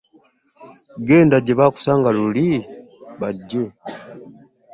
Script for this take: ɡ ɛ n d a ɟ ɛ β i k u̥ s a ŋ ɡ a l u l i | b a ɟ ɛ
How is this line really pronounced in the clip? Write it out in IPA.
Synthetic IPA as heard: ɡ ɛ n d a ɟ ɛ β a k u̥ s a ŋ ɡ a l u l i | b a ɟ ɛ